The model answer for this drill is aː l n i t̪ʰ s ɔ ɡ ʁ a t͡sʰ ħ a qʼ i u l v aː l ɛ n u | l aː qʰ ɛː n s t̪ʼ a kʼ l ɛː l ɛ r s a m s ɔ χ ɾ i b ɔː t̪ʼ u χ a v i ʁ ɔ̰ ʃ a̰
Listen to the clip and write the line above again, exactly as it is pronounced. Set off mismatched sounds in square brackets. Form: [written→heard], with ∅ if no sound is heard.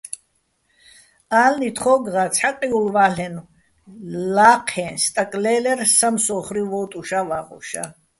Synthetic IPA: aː l n i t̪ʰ [s→χ] ɔ ɡ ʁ a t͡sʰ ħ a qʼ i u l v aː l ɛ n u | l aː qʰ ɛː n s t̪ʼ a kʼ l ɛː l ɛ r s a m s ɔ χ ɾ i [b→v] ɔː t̪ʼ u [χ→ʃ] a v [i→a] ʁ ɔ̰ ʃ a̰